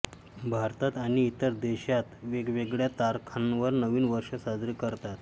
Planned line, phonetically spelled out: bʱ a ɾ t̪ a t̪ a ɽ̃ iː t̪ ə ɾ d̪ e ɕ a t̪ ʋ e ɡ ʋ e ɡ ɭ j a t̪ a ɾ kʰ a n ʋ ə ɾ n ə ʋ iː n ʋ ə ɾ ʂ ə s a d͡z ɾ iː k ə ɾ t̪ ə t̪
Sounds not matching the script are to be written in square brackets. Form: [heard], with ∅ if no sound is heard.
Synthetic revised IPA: bʱ a ɾ t̪ a t̪ a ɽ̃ iː t̪ ə ɾ d̪ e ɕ a t̪ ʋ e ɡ ʋ e ɡ ɭ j a t̪ a ɾ kʰ a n ʋ ə ɾ n ə ʋ iː n ʋ ə ɾ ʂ ə s a d͡z ɾ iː k ə ɾ t̪ [a] t̪